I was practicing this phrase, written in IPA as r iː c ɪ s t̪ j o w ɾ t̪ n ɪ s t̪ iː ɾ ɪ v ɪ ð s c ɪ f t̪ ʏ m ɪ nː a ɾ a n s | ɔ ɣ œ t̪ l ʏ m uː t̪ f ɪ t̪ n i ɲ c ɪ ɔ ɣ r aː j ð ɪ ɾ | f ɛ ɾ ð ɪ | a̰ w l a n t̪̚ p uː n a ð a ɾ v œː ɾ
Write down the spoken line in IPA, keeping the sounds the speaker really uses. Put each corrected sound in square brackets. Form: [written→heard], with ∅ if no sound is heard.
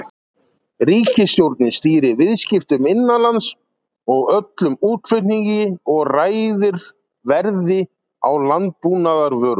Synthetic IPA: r iː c ɪ s t̪ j o w ɾ t̪ n ɪ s t̪ iː ɾ ɪ v ɪ ð s c ɪ f t̪ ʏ m ɪ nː a [ɾ→l] a n s | ɔ ɣ œ t̪ l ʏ m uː t̪ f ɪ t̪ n i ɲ c ɪ ɔ ɣ r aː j ð ɪ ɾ | [f→v] ɛ ɾ ð ɪ | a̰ w l a n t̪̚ p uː n a ð a ɾ v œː ɾ